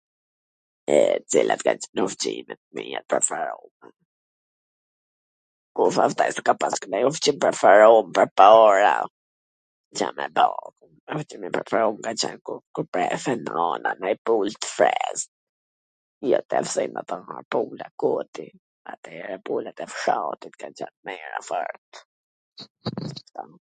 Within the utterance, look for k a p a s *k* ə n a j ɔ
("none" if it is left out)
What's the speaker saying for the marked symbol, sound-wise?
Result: k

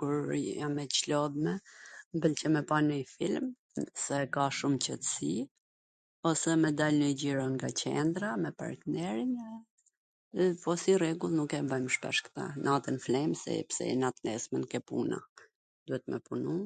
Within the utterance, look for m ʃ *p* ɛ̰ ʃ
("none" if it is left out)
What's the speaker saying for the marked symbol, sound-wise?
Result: p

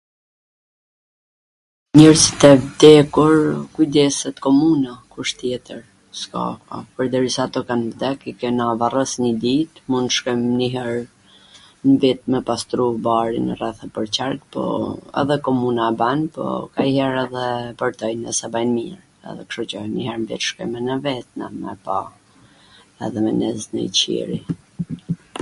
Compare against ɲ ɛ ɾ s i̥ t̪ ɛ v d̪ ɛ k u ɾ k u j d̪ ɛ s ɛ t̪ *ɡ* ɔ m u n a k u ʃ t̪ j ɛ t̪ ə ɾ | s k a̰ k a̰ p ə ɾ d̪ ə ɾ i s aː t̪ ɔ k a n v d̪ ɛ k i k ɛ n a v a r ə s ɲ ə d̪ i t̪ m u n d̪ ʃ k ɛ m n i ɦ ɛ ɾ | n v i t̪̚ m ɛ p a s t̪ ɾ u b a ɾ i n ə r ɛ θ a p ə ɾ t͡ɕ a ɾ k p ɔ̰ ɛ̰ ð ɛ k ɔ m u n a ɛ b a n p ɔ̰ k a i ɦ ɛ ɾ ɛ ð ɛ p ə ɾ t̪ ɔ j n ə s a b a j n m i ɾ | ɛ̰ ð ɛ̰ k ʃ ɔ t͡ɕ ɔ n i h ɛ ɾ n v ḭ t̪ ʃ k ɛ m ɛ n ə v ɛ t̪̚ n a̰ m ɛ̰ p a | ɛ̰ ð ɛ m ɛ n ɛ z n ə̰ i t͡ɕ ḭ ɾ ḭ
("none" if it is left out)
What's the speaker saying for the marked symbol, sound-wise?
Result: k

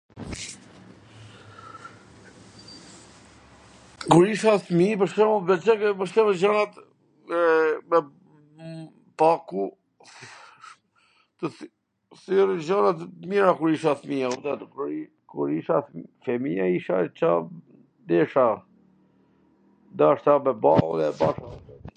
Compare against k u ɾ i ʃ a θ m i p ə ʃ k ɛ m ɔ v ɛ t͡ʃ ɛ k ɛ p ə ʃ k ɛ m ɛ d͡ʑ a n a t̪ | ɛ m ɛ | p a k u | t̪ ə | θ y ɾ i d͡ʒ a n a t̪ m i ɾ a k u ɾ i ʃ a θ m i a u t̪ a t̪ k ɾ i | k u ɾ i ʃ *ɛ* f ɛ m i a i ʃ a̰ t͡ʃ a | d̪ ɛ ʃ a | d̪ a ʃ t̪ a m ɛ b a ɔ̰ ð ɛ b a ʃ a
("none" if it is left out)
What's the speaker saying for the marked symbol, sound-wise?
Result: a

